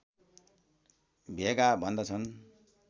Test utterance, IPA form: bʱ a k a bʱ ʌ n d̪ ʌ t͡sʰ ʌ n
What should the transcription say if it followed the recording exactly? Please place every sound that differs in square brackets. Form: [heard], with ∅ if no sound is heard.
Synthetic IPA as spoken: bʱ [e] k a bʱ ʌ n d̪ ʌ t͡sʰ ʌ n

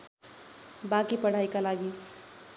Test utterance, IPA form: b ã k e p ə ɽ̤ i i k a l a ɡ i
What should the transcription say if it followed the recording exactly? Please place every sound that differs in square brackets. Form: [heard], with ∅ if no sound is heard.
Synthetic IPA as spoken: b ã k [i] p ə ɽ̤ [a] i k a l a ɡ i

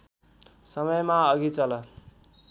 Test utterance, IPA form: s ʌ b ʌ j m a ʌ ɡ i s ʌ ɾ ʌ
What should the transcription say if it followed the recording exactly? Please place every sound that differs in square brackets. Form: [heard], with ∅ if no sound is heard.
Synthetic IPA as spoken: s ʌ [m] ʌ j m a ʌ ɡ i [t͡s] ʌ [l] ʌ

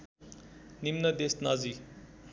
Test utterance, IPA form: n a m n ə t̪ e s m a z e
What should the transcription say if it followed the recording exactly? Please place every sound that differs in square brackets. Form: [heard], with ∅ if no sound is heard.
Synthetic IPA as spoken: n [i] m n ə [d̪] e s [n] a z [i]

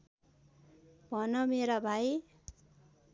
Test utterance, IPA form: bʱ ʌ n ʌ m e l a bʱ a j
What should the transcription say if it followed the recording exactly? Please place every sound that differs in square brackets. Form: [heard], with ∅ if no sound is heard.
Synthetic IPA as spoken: bʱ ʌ n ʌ m e [ɾ] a bʱ a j

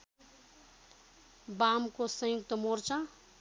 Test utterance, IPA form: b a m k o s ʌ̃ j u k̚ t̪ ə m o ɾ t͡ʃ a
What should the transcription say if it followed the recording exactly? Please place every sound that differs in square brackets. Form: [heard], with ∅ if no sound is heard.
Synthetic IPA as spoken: b a m k o s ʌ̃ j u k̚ t̪ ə m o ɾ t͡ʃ a

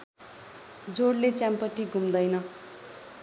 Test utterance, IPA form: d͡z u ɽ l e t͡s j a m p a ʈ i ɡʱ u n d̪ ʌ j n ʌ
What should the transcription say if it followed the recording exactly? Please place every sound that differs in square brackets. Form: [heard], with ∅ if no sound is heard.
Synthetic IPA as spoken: d͡z [o] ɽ l e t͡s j a m p [ʌ] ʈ i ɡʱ u [m] d̪ ʌ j n ʌ

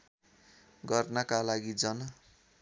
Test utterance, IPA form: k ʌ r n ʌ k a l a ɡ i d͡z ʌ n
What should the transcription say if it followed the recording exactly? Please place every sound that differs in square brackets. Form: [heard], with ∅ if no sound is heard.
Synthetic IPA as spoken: [ɡ] ʌ r n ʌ k a l a ɡ i d͡z ʌ n

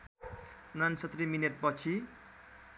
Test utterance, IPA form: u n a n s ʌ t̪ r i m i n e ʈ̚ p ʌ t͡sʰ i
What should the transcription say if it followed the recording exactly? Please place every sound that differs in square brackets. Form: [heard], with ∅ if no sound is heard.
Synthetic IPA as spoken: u n a n s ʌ t̪ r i m i n e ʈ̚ p ʌ t͡sʰ i

